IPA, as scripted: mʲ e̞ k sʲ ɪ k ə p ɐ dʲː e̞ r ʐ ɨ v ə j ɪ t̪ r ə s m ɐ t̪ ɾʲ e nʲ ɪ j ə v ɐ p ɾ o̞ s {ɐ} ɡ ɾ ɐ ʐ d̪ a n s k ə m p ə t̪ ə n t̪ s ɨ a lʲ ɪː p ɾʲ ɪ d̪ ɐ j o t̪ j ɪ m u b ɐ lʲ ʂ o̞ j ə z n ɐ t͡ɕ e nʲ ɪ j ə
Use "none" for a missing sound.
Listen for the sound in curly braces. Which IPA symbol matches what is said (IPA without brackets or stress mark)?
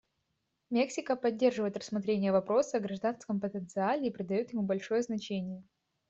ə